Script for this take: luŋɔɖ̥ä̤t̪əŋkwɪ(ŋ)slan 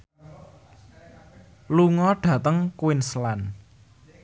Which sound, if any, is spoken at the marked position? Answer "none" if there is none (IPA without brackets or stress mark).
n